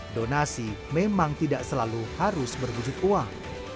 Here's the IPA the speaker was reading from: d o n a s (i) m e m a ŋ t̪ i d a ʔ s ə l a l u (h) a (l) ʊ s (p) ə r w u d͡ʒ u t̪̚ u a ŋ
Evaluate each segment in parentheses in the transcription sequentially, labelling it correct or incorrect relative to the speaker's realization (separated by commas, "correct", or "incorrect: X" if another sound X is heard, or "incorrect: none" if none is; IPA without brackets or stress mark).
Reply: correct, correct, incorrect: ɾ, incorrect: b